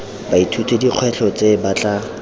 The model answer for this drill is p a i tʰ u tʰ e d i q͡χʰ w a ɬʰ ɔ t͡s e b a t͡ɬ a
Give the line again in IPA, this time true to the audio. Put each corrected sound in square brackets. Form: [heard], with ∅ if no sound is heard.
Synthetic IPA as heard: [b] a i tʰ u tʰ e d i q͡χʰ w [ɛ] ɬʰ ɔ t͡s e b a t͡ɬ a